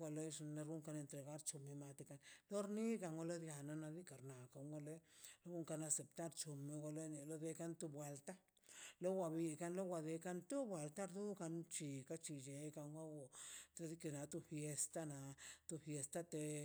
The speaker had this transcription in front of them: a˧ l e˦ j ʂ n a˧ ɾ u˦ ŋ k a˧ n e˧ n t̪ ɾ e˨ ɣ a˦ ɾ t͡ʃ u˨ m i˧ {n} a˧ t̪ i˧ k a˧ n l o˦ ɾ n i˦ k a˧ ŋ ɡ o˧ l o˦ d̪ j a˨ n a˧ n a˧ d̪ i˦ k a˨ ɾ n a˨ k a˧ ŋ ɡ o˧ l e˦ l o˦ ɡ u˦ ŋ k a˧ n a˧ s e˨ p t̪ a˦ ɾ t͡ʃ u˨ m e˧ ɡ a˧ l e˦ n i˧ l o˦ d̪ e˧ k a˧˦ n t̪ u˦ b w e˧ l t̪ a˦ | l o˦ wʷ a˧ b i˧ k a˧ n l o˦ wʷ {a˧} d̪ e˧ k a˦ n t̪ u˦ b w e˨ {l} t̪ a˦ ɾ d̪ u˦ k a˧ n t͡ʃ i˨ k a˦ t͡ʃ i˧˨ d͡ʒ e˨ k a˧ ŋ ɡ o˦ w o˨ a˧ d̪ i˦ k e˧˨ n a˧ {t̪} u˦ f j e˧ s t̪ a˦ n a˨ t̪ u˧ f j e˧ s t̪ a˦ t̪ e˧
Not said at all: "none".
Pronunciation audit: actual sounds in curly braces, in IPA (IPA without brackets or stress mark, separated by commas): m, a˧, l, t̪